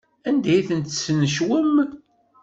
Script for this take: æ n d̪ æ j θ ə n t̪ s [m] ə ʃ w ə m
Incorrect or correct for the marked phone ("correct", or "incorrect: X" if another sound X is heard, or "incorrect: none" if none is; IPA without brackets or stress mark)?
incorrect: n